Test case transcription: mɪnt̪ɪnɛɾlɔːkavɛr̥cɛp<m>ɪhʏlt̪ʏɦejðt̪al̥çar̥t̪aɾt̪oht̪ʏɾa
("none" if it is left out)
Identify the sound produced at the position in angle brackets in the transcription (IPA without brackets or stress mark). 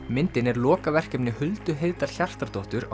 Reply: n